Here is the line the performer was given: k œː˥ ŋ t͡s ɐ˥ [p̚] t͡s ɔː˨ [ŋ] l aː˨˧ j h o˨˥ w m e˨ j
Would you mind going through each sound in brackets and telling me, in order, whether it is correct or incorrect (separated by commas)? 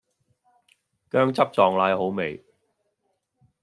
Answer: correct, correct